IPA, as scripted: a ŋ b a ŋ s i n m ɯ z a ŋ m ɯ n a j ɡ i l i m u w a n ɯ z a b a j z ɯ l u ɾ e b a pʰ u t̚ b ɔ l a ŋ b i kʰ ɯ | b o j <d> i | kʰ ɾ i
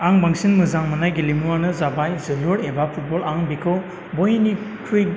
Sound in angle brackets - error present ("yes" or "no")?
yes